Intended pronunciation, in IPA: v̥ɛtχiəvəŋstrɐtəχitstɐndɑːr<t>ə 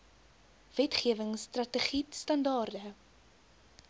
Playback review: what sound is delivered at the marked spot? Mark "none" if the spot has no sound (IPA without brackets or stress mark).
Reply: d